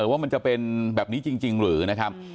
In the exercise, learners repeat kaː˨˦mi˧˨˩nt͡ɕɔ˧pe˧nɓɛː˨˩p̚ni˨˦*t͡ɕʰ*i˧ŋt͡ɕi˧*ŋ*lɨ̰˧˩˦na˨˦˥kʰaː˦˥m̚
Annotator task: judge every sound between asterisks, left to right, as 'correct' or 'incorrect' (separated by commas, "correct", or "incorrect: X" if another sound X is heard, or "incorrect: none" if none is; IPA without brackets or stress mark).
incorrect: t͡ɕ, correct